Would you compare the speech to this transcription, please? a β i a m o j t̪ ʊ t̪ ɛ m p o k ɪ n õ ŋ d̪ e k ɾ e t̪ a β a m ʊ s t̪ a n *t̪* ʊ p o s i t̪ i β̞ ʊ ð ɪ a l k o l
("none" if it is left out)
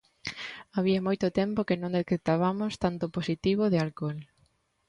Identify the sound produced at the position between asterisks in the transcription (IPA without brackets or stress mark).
t̪